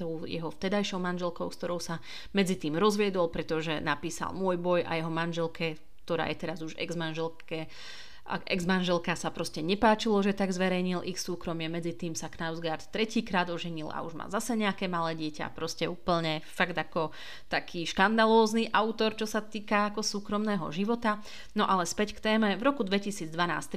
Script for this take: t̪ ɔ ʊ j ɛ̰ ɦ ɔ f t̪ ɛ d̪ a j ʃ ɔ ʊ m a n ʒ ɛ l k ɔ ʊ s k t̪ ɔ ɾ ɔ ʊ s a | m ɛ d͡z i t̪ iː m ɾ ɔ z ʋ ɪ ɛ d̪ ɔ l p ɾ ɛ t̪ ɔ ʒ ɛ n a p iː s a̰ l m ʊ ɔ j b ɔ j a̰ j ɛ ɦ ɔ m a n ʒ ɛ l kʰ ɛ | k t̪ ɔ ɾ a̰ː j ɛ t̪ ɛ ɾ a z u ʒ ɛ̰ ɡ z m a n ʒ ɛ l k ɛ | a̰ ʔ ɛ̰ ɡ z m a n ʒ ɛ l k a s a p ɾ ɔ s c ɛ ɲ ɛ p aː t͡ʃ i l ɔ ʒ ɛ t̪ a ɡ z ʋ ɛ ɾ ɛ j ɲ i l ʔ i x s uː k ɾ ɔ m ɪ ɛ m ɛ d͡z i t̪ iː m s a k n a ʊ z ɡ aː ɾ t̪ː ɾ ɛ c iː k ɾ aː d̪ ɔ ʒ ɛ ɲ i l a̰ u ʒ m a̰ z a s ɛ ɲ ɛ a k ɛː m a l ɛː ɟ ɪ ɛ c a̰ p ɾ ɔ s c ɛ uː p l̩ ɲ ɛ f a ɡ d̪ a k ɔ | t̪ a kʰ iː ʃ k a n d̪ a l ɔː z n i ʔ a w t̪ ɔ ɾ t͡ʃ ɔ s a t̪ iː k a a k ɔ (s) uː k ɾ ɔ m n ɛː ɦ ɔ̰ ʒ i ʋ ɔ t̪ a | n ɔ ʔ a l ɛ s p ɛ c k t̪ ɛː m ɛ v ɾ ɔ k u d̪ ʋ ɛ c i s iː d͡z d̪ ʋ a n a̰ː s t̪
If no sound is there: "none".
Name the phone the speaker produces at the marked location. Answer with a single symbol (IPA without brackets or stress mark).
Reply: s